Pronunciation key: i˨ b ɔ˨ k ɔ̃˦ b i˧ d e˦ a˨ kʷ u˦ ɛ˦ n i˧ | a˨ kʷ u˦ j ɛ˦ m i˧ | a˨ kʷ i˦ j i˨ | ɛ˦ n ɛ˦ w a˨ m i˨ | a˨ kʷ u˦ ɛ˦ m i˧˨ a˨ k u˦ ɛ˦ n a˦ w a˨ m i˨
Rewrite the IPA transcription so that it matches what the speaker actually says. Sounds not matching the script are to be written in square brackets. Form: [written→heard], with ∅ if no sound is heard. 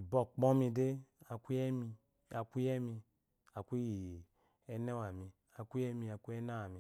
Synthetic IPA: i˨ b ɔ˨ [k→k͡p] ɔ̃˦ [b→m] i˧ d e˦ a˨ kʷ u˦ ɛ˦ [n→m] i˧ | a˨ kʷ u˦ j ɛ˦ m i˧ | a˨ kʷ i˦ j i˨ | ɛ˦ n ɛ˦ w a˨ m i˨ | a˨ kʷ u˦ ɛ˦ m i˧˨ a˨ k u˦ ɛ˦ n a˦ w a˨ m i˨